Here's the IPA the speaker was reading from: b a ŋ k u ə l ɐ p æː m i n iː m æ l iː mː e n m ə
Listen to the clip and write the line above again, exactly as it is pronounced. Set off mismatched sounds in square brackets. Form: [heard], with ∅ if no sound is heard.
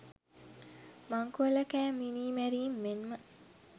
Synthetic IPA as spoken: [m] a ŋ k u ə l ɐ [k] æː m i n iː m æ [ɾ] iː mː e n m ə